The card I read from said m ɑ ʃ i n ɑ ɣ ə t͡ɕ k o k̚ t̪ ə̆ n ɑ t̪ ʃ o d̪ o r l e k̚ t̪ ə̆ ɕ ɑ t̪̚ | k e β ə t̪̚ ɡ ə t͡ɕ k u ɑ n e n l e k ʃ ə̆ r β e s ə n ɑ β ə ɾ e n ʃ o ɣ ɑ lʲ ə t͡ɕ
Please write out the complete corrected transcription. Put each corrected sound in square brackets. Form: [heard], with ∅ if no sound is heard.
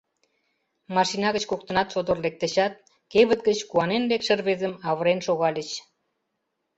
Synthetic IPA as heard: m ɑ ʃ i n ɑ ɣ ə t͡ɕ k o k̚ t̪ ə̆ n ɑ t̪ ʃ o d̪ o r l e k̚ t̪ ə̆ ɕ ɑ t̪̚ | k e β ə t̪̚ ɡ ə t͡ɕ k u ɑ n e n l e k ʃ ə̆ r β e [z] ə [m] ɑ β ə ɾ e n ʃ o ɣ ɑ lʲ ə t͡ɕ